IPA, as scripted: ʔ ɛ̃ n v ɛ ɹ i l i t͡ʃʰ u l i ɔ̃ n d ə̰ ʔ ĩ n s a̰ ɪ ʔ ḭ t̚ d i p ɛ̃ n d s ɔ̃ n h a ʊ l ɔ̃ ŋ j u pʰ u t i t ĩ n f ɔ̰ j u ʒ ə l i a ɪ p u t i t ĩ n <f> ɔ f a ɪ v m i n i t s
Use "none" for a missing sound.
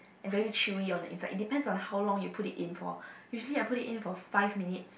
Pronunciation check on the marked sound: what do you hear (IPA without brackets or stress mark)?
f